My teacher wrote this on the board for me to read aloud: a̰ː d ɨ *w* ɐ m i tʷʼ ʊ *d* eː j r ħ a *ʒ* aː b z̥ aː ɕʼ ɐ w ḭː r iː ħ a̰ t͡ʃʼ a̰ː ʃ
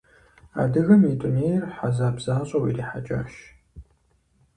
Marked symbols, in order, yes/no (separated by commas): no, no, no